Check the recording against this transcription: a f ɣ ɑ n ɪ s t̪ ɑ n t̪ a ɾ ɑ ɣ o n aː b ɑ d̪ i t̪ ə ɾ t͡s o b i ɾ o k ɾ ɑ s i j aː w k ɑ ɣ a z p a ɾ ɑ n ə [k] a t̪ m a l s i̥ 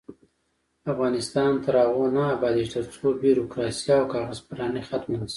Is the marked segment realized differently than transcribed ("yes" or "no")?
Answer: yes